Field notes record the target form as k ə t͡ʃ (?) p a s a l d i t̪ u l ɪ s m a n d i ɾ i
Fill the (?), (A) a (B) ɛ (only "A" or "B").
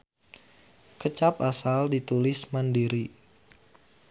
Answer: A